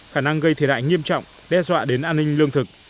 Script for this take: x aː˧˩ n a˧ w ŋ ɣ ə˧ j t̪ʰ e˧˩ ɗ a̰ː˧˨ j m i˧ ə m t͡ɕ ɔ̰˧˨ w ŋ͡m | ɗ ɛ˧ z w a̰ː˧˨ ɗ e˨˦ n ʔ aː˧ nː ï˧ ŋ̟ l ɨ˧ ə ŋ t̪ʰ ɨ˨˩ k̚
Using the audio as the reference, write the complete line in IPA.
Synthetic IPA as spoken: x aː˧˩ n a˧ ŋ ɣ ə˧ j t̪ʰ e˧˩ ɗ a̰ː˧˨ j ŋ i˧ ə m t͡ɕ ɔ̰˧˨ w ŋ͡m | ɗ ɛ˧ z w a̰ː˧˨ ɗ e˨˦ n ʔ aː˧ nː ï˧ ŋ̟ l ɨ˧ ə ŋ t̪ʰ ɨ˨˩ k̚

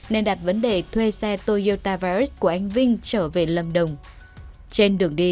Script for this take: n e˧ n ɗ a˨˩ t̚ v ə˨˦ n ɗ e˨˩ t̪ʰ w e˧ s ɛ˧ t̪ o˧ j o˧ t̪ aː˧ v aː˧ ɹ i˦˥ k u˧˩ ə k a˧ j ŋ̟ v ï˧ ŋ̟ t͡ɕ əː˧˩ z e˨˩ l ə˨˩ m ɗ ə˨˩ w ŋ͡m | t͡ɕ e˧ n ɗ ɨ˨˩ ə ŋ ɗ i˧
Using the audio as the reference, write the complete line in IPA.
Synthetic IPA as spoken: n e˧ n ɗ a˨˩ t̚ v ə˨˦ n ɗ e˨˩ t̪ʰ w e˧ s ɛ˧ t̪ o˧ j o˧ t̪ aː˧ v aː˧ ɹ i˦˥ k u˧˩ ə ʔ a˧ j ŋ̟ v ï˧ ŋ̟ t͡ɕ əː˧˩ v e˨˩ l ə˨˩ m ɗ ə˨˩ w ŋ͡m | t͡ɕ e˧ n ɗ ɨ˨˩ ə ŋ ɗ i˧

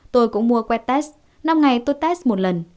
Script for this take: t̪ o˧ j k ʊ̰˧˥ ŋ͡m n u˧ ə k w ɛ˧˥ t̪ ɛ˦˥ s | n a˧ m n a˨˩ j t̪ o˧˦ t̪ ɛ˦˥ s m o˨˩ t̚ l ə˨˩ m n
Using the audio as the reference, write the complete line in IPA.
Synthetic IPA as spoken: t̪ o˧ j k ʊ̰˧˥ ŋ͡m m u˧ ə k w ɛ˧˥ t̪ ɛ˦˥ s | n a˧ m ŋ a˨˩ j t̪ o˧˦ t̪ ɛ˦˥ s m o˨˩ t̚ l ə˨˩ n

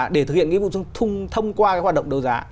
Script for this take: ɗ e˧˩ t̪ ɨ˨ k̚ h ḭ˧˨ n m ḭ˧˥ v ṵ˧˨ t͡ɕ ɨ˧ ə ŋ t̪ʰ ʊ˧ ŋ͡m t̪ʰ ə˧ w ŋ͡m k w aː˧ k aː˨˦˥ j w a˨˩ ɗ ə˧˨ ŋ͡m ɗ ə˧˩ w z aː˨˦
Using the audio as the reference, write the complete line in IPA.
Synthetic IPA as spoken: ɗ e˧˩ t̪ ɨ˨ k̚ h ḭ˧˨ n ŋ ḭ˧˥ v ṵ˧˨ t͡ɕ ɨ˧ ə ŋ t̪ʰ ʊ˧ ŋ͡m t̪ʰ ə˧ w ŋ͡m k w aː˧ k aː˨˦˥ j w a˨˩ ɗ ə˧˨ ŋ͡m ɗ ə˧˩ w z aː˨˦

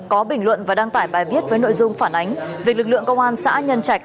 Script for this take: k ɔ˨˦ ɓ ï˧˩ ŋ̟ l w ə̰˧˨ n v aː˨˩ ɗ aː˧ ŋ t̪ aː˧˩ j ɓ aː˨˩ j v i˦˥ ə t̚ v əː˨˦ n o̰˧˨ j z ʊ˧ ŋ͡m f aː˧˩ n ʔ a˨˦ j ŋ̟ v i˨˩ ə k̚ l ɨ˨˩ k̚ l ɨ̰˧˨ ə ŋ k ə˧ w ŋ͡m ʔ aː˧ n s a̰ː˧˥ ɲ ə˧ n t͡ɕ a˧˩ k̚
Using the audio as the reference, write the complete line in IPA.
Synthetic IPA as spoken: k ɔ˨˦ ɓ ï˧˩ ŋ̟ l w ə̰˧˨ n v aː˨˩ ɗ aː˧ ŋ t̪ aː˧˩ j ɓ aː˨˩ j v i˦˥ ə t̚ v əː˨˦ n o̰˧˨ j z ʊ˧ ŋ͡m f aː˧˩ n ʔ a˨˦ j ŋ̟ v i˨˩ ə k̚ l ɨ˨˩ k̚ l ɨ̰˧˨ ə ŋ k ə˧ w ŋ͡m ʔ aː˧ n s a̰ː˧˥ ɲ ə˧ n t͡ɕ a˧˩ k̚

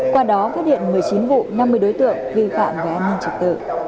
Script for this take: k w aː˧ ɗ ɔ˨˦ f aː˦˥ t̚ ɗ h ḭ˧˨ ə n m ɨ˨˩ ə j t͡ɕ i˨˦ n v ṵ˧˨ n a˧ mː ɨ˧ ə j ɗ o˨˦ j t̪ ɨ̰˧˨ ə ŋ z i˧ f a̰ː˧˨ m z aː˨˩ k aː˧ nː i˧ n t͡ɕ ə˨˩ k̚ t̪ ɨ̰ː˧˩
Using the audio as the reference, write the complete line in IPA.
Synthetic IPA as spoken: k w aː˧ ɗ ɔ˨˦ f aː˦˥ t̚ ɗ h ḭ˧˨ ə n m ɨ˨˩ ə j t͡ɕ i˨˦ n v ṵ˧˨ n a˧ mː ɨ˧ ə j ɗ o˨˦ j t̪ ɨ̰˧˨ ə ŋ v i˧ f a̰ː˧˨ m v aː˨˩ ʔ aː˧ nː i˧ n t͡ɕ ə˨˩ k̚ t̪ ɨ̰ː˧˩

